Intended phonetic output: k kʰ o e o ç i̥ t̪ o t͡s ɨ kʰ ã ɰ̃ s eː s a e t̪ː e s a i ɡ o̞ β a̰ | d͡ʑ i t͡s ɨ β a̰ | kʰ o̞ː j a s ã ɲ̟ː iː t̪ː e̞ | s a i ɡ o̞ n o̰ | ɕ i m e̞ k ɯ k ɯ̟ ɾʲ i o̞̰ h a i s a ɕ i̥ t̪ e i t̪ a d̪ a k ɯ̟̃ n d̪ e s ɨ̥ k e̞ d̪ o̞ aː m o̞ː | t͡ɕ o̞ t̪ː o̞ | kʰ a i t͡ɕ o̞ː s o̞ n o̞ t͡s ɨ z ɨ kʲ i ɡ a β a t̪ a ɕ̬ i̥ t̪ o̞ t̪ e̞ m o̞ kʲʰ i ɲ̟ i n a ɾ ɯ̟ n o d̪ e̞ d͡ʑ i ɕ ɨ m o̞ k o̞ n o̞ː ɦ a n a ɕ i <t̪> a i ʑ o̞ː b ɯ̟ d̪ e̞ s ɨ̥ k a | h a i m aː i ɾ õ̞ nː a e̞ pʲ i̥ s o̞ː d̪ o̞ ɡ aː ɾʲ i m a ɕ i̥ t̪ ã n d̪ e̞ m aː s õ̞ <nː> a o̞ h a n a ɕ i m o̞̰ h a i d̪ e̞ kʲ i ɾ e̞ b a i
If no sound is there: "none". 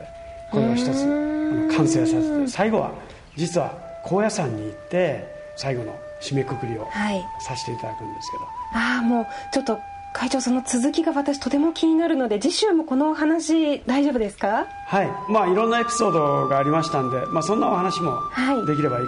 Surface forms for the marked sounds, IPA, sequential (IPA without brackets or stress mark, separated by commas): d̪, nː